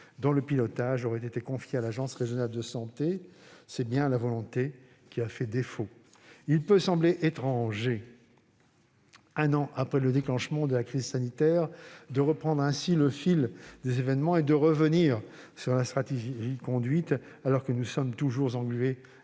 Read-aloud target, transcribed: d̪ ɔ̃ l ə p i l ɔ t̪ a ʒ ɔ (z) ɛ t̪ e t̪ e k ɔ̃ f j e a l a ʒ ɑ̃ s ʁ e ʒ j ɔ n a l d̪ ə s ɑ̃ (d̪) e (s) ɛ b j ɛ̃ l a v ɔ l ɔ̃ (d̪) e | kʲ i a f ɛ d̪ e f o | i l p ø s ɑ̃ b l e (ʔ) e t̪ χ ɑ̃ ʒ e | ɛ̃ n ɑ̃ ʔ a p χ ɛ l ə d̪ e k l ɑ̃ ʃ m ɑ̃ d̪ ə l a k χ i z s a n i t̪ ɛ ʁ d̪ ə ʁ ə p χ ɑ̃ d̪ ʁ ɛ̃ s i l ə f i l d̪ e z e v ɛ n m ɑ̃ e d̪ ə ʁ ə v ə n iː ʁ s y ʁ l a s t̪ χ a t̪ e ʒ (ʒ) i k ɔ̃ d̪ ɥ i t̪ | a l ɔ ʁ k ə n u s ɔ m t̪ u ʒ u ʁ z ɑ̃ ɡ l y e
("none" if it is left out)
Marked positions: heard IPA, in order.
ʁ, t̪, s, t̪, ʔ, ʒ

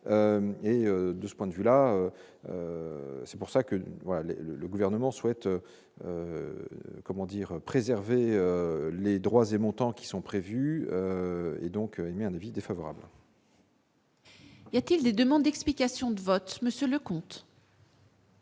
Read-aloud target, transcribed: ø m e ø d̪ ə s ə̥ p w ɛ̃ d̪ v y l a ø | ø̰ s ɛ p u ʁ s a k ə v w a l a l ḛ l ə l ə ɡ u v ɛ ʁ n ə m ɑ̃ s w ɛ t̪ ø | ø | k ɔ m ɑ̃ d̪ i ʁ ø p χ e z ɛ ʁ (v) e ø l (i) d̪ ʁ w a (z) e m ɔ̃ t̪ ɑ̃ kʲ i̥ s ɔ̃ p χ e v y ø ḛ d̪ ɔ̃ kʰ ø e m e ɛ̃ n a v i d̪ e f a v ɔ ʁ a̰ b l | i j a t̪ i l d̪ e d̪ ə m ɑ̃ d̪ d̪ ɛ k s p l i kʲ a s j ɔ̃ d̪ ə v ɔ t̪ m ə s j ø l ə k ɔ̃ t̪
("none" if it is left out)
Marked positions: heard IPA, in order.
v, e, z

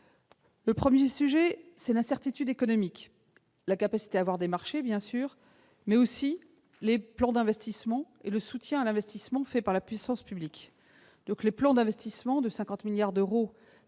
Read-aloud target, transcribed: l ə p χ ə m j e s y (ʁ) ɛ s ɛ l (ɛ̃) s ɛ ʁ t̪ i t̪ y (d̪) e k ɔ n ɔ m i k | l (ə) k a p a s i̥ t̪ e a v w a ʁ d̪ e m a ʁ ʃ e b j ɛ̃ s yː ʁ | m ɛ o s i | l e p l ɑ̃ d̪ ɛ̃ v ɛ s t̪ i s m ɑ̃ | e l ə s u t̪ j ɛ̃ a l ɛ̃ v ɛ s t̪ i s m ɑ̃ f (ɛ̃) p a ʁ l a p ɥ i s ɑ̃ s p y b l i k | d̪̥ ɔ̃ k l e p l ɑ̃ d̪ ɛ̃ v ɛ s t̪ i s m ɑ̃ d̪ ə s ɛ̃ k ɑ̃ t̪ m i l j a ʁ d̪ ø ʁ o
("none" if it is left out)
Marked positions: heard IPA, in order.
ʒ, ɛ̃, d̪, a, ɛ

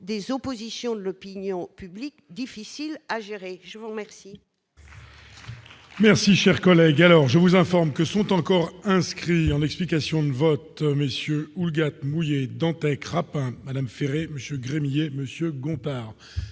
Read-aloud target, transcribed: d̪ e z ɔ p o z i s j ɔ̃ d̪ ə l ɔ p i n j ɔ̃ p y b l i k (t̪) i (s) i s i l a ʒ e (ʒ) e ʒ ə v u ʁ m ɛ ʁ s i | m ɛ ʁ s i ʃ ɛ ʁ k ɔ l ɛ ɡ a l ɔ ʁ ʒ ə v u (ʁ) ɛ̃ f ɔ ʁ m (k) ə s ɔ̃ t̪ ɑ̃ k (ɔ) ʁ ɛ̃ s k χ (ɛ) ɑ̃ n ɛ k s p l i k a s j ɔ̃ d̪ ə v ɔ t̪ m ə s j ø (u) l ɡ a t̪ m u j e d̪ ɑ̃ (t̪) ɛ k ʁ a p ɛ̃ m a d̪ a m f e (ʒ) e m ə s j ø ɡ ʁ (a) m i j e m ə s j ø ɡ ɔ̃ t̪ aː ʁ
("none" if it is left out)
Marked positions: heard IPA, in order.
d̪, f, ʁ, z, k, ɔ, i, u, t̪, ʁ, e

